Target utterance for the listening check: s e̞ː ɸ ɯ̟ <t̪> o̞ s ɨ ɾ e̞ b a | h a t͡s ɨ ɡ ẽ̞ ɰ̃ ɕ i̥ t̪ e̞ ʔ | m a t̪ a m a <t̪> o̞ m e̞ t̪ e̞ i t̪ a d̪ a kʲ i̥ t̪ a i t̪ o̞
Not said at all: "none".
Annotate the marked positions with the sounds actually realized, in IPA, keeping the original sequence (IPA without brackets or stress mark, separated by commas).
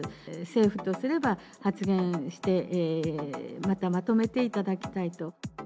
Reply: t̪, t̪